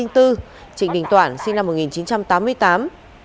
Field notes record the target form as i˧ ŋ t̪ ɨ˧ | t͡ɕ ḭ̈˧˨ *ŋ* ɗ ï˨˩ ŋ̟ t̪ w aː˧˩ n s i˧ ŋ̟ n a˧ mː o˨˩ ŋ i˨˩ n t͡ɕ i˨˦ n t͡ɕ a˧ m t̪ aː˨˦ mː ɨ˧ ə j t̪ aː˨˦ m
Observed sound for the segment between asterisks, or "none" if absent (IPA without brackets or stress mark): ŋ